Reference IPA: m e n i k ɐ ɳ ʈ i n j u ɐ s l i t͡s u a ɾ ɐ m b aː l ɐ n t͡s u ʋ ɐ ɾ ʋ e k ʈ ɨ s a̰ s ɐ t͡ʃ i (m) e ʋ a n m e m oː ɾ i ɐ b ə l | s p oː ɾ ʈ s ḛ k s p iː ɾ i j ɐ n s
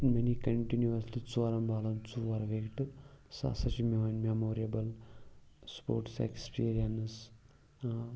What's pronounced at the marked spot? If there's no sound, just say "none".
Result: m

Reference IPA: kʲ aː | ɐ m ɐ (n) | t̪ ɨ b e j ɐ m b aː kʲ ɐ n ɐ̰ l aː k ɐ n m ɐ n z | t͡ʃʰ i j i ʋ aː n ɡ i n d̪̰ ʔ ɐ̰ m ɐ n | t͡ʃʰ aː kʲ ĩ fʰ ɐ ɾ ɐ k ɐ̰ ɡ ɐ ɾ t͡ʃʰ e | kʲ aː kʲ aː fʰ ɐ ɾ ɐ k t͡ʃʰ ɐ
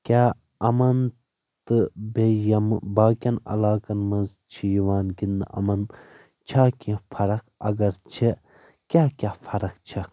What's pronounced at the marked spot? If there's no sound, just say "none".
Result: n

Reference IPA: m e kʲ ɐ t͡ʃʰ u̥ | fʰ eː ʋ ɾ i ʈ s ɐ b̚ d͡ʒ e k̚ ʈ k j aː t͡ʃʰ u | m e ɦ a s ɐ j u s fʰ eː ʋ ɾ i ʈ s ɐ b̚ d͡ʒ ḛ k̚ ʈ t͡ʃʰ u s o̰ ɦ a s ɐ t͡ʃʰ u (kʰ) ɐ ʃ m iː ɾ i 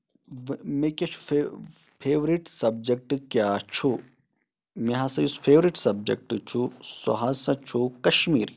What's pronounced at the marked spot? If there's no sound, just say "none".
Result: k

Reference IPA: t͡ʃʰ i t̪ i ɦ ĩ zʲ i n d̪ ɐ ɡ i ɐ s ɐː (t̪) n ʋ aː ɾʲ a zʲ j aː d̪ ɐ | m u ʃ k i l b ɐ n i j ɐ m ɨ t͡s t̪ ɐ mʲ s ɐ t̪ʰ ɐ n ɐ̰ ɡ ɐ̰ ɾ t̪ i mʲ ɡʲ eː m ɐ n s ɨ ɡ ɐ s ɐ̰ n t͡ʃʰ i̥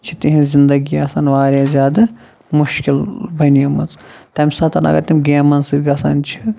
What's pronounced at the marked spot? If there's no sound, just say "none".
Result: none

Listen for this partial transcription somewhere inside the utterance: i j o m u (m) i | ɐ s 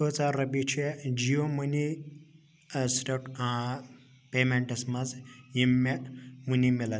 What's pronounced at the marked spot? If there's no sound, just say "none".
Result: n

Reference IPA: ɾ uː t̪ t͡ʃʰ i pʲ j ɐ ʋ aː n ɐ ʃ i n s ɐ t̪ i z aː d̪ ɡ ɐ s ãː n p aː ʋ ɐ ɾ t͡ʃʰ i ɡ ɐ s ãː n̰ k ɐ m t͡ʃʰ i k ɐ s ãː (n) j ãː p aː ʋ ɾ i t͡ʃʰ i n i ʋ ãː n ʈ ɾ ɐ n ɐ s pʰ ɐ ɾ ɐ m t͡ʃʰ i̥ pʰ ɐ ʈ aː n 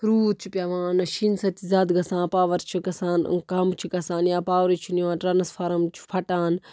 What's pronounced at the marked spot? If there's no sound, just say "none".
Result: n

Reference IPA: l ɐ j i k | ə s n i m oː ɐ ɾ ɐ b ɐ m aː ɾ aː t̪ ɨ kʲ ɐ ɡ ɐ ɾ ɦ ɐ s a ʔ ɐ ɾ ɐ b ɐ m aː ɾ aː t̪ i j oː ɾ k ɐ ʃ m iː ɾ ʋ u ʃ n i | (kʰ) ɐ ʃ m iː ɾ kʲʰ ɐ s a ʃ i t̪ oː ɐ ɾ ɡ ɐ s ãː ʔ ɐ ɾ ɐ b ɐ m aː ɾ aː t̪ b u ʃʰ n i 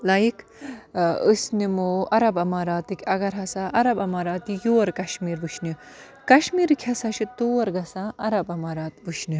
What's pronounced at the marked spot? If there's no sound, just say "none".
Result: k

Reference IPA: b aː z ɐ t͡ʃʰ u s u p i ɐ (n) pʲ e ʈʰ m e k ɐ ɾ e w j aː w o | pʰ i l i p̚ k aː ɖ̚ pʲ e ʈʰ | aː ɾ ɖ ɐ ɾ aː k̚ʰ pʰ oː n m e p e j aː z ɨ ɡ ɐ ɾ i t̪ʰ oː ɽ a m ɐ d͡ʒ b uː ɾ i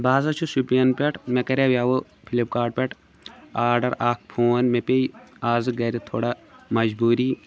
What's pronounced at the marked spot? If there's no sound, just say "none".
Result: n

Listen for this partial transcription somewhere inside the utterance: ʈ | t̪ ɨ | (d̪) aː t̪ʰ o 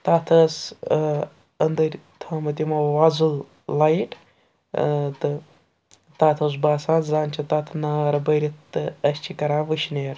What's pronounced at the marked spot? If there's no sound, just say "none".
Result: t̪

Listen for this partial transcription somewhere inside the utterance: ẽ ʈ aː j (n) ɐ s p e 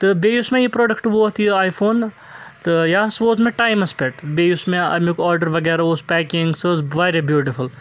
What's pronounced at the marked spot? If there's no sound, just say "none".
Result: m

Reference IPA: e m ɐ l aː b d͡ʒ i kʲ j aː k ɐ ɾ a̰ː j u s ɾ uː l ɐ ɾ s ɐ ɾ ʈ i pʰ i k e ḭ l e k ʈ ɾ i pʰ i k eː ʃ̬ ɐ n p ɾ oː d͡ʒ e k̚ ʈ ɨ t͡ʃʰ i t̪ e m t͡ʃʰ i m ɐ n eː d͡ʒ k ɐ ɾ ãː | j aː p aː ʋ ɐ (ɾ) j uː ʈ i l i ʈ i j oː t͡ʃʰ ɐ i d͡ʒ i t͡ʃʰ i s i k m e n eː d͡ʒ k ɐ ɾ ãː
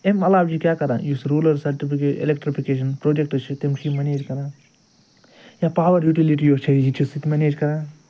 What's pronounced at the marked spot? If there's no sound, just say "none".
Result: ɾ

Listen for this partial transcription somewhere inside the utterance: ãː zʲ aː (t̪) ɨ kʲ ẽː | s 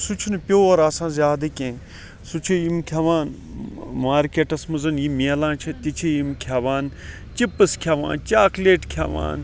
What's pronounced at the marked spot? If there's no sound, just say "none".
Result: d̪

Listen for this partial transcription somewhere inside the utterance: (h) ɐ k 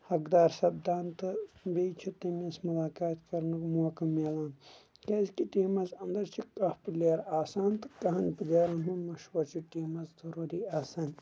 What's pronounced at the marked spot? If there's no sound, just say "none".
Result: h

